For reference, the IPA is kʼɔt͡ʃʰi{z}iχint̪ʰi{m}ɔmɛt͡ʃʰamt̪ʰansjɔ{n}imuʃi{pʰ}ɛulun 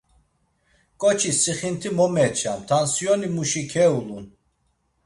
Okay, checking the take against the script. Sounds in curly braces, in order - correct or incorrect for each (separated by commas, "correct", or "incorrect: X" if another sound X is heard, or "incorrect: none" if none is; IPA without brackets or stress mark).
incorrect: s, correct, correct, incorrect: kʰ